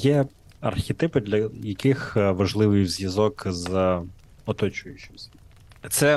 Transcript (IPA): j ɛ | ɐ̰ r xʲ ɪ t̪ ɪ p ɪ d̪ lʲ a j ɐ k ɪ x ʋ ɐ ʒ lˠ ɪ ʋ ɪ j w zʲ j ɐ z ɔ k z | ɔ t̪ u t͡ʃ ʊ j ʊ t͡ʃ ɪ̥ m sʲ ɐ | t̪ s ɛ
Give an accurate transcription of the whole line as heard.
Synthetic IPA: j ɛ | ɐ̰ r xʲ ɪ t̪ ɪ p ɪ d̪ lʲ ɐ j ɐ k ɪ x ʋ ɐ ʒ lˠ ɪ ʋ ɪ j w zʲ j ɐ z ɔ k z | ɔ t̪ ɔ t͡ʃ ʊ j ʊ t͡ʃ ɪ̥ m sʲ ɐ | t̪ s ɛ